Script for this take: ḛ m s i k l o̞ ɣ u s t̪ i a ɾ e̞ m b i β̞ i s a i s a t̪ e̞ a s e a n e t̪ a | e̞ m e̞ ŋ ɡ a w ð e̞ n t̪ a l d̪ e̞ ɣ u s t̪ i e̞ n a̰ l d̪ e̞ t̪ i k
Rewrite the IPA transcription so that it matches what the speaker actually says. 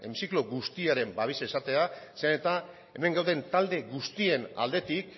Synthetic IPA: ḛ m s i k l o̞ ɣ u s t̪ i a ɾ e̞ m b a β̞ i s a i s a t̪ e̞ a s e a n e t̪ a | e̞ m e̞ ŋ ɡ a w ð e̞ n t̪ a l d̪ e̞ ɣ u s t̪ i e̞ n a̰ l d̪ e̞ t̪ i k